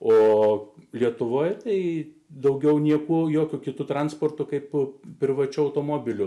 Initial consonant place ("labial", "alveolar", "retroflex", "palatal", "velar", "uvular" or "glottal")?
alveolar